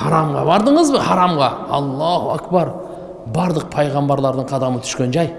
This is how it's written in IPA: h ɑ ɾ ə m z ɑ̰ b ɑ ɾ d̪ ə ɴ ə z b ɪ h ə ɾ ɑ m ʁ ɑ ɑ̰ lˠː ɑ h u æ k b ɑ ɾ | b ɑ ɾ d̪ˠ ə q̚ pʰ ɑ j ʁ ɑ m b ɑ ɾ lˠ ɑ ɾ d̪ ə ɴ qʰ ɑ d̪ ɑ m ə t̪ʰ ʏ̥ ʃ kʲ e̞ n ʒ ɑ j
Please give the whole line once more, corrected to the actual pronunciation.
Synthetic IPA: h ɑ ɾ ɑ m ʁ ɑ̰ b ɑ ɾ d̪ ə ɴ ə z b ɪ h ɑ ɾ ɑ m ʁ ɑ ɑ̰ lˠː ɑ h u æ k b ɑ ɾ | b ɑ ɾ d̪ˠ ə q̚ pʰ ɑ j ʁ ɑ m b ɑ ɾ lˠ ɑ ɾ d̪ ə ɴ qʰ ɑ d̪ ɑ m ə t̪ʰ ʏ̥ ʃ kʲ e̞ n ʒ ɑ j